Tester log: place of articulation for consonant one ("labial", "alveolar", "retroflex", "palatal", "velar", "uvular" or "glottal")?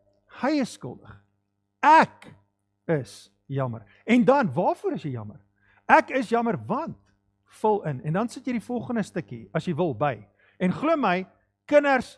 glottal